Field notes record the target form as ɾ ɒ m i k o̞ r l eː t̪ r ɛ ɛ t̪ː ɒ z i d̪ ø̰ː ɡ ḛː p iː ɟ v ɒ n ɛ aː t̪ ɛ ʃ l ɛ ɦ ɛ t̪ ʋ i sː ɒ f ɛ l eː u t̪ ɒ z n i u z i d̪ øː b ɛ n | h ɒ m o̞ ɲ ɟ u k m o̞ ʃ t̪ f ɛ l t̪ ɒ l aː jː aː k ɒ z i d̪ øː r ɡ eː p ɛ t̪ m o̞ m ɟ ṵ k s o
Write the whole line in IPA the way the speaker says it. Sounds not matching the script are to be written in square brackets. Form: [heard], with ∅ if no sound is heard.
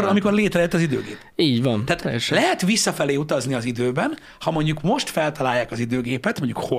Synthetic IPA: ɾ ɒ m i k o̞ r l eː t̪ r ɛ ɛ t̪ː ɒ z i d̪ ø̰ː ɡ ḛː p iː ɟ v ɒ n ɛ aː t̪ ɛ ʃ l ɛ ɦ ɛ t̪ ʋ i sː ɒ f ɛ l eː u t̪ ɒ z n i [ɒ] z i d̪ øː b ɛ n | h ɒ m o̞ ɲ ɟ u k m o̞ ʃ t̪ f ɛ l t̪ ɒ l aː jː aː k ɒ z i d̪ øː [∅] ɡ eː p ɛ t̪ m o̞ [ɲ] ɟ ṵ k [h] o